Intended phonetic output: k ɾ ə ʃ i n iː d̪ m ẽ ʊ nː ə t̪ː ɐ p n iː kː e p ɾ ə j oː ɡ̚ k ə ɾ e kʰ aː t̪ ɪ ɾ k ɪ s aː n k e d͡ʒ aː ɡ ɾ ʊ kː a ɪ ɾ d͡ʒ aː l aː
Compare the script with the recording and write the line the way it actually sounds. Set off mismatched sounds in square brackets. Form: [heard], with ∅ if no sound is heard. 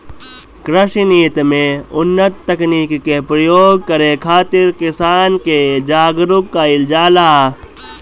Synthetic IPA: k ɾ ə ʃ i n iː [t̪] m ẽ ʊ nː ə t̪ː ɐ [k] n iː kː e p ɾ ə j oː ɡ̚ k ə ɾ e kʰ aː t̪ ɪ ɾ k ɪ s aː n k e d͡ʒ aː ɡ ɾ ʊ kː a ɪ [l] d͡ʒ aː l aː